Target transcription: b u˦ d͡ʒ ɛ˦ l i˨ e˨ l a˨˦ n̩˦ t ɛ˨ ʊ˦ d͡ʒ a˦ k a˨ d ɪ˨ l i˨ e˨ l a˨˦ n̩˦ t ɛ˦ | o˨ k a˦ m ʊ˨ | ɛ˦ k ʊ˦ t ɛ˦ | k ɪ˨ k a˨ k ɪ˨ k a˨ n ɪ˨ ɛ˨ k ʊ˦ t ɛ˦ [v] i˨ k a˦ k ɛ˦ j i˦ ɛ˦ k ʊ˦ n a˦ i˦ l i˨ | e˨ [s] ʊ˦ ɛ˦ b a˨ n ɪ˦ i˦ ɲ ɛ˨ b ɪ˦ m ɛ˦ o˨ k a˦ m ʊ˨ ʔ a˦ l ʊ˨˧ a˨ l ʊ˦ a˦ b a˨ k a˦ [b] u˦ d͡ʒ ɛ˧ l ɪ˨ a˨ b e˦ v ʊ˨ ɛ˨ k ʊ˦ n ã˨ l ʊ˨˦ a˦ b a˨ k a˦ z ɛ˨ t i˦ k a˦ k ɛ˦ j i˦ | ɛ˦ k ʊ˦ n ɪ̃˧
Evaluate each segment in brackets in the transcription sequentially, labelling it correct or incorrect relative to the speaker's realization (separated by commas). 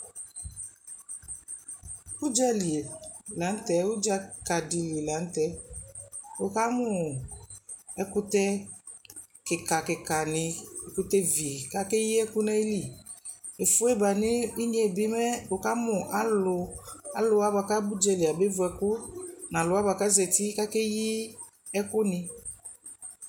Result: correct, incorrect, correct